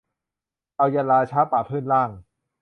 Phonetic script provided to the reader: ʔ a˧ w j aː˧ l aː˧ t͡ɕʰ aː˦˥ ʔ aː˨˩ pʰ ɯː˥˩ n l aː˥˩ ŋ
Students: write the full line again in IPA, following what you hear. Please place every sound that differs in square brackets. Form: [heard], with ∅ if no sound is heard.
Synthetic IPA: ʔ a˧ w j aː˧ l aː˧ t͡ɕʰ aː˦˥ [p] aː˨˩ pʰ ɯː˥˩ n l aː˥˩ ŋ